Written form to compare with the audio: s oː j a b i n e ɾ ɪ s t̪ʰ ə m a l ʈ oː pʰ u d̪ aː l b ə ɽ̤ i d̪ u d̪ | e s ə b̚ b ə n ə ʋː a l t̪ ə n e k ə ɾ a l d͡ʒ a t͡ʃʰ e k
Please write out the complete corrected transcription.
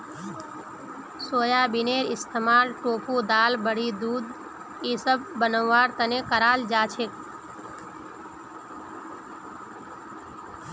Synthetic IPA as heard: s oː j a b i n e ɾ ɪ s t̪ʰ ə m a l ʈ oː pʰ u d̪ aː l b ə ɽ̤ i d̪ u d̪ | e s ə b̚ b ə n ə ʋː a ɾ t̪ ə n e k ə ɾ a l d͡ʒ a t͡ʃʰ e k